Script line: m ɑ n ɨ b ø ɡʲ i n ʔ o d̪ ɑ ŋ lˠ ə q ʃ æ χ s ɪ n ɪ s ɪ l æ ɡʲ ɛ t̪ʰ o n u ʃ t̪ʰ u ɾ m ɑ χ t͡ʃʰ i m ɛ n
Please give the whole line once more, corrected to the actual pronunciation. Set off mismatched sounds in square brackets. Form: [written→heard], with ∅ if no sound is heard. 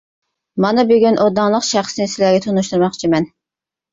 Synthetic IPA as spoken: m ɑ n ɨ b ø ɡʲ [i→y] n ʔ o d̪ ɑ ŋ lˠ ə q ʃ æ χ s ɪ n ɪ s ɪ l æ ɡʲ ɛ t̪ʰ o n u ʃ [t̪ʰ→t̪] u ɾ m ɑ χ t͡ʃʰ i m ɛ n